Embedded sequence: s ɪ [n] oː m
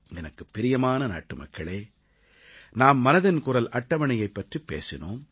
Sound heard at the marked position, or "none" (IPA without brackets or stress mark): n